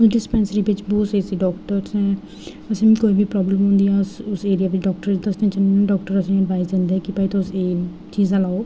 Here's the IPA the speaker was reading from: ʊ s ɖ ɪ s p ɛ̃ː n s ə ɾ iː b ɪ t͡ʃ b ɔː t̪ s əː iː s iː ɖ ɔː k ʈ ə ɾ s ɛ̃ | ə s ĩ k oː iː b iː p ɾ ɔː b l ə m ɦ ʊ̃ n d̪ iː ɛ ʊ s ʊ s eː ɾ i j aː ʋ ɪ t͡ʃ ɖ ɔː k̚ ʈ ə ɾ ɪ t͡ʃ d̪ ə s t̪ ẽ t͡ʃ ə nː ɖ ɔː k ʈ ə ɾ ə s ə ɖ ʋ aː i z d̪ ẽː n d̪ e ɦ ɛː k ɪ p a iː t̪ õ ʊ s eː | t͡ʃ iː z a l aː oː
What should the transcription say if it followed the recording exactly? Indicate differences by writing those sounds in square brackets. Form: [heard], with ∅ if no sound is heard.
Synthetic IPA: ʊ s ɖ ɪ s p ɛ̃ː n s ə ɾ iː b ɪ t͡ʃ b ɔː t̪ s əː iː s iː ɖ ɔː k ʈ ə ɾ s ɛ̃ | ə s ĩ k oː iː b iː p ɾ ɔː b l ə m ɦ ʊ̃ n d̪ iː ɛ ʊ s ʊ s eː ɾ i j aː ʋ ɪ t͡ʃ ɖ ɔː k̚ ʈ ə ɾ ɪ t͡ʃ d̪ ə s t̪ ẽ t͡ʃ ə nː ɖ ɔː k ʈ ə ɾ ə s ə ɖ ʋ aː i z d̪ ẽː n d̪ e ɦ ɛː k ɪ p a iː t̪ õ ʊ s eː | t͡ʃ iː z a l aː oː